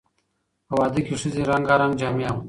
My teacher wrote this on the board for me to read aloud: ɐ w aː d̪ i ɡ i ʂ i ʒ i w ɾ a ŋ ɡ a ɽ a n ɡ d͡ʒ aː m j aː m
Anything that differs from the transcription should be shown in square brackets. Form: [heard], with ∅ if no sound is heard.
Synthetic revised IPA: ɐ w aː d̪ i [k] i ʂ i [z] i [∅] ɾ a ŋ ɡ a [ɾ] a [ŋ] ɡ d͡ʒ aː m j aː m